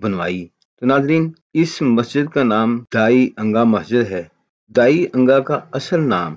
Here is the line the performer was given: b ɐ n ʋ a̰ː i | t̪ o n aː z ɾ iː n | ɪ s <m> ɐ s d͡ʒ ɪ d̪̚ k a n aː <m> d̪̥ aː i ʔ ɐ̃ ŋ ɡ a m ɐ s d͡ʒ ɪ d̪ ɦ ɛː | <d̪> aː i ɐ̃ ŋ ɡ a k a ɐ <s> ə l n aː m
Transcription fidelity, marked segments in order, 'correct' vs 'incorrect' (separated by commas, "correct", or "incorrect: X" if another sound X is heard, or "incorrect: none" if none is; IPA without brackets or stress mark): correct, correct, correct, correct